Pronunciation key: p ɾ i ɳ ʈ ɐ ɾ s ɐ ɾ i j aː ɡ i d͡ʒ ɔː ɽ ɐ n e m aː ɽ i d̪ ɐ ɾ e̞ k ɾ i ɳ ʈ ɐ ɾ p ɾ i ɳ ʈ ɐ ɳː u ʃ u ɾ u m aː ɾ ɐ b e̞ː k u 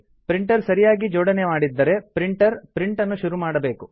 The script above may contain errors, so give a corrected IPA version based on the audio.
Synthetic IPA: p ɾ i ɳ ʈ ɐ ɾ s ɐ ɾ i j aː ɡ i d͡ʒ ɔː ɽ ɐ n e m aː ɽ i d̪ː ɐ ɾ e̞ p ɾ i ɳ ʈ ɐ ɾ p ɾ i ɳ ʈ ɐ nː u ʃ u ɾ u m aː ɽ ɐ b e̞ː k u